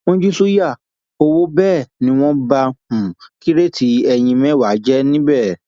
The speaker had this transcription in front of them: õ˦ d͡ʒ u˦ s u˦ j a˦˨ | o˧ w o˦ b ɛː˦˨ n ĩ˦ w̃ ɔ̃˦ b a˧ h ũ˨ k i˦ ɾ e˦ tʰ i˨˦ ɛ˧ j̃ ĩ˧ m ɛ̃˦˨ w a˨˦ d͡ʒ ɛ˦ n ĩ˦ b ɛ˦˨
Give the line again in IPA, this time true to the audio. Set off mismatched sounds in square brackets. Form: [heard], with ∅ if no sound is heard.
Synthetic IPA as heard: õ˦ d͡ʒ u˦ s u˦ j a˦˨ | o˧ w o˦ b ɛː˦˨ n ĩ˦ w̃ ɔ̃˦ b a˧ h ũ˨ k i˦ ɾ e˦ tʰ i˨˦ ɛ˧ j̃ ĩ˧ m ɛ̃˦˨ w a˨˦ d͡ʒ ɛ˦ n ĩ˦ b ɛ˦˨